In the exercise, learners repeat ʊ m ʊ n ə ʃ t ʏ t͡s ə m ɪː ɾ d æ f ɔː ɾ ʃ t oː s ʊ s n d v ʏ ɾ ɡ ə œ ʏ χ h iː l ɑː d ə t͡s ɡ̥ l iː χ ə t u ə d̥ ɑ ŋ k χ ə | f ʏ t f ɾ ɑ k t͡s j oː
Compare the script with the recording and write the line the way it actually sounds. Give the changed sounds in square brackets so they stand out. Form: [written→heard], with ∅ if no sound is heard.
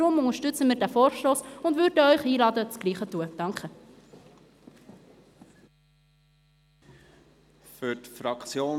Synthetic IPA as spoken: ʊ m ʊ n ə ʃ t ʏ t͡s ə m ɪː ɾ d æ f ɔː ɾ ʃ t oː s ʊ [s→∅] n d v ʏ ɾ [ɡ→d] ə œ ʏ χ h iː l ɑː d ə t͡s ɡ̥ l iː χ ə t u ə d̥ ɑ ŋ k χ ə | f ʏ t f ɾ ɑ k t͡s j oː

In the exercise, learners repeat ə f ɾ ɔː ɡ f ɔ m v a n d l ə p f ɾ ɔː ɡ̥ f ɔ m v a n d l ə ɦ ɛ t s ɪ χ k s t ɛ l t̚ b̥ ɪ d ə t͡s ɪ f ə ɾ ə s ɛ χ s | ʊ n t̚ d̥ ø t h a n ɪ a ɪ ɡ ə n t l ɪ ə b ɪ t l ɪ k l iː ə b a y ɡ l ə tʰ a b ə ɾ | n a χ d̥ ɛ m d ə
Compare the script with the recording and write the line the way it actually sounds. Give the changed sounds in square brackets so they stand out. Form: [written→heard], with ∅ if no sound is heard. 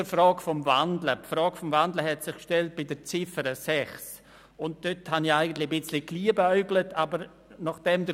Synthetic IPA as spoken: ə f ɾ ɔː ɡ f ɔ m v a n d l ə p f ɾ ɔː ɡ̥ f ɔ m v a n d l ə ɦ ɛ t s ɪ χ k [s→ʃ] t ɛ l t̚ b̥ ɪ d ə t͡s ɪ f ə ɾ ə s ɛ χ s | ʊ n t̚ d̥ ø t h a n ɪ a ɪ ɡ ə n t l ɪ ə b ɪ [t→t͡s] l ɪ k l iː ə b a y ɡ l ə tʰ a b ə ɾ | n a χ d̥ ɛ m d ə

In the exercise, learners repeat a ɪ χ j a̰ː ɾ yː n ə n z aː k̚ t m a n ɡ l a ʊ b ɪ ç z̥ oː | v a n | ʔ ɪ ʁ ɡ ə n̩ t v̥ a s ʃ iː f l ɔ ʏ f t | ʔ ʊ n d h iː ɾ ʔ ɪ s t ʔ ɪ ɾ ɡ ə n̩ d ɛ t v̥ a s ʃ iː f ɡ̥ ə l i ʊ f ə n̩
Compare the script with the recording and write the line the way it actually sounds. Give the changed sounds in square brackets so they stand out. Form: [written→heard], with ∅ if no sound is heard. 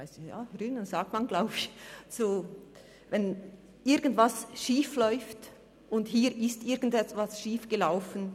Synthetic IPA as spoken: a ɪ [χ→s] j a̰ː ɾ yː n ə n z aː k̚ t m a n ɡ l a ʊ b ɪ ç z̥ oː | v [a→ɛ] n | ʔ ɪ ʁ ɡ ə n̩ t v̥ a s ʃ iː f l ɔ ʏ f t | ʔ ʊ n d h iː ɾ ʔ ɪ s t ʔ ɪ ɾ ɡ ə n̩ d ɛ t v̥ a s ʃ iː f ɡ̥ ə l [i→a] ʊ f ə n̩

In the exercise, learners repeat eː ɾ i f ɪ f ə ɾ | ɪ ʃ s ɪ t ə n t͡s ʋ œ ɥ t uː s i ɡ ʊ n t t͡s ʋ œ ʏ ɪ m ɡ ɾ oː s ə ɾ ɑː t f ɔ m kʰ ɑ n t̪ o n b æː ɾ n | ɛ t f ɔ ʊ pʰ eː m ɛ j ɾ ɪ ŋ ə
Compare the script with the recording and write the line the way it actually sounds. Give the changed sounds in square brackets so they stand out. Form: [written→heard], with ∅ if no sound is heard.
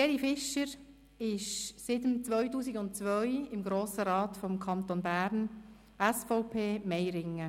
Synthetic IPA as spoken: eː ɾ i f ɪ [f→ʃ] ə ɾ | ɪ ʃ s ɪ t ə [n→m] t͡s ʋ œ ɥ t uː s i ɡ ʊ n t t͡s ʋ œ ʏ ɪ m ɡ ɾ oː s ə ɾ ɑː t f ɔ m kʰ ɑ n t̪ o n b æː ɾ n | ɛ [t→s] f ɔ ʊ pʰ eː m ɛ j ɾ ɪ ŋ ə

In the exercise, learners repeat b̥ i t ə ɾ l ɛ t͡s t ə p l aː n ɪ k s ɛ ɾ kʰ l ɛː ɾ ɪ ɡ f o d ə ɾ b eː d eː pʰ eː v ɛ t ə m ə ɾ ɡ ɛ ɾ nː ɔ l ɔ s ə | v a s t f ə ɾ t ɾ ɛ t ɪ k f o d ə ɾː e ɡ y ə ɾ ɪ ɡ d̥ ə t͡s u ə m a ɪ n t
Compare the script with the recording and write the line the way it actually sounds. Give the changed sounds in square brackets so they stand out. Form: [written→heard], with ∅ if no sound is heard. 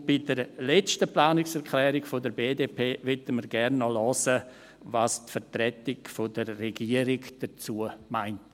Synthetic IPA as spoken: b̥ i [t→d] ə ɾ l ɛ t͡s t ə p l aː n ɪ k s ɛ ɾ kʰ l ɛː ɾ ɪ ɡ f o d ə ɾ b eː d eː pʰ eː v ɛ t ə m ə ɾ ɡ ɛ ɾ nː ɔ l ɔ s ə | v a s t f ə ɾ t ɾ ɛ t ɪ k f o d ə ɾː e ɡ [y→i] ə ɾ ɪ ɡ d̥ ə t͡s u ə m a ɪ n t

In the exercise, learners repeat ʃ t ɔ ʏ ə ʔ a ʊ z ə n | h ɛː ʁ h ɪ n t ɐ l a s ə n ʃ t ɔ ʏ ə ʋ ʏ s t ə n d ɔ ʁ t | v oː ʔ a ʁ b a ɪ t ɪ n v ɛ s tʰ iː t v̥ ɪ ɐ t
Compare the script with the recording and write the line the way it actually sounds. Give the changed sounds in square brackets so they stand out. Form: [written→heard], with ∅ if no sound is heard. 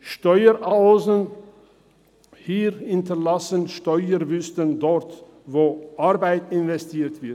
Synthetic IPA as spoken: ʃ t ɔ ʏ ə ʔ a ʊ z ə n | h [ɛː→iː] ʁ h ɪ n t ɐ l a s ə n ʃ t ɔ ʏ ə [ʋ→v] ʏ s t ə n d ɔ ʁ t | v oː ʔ a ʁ b a ɪ t ɪ n v ɛ s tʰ iː t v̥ ɪ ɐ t

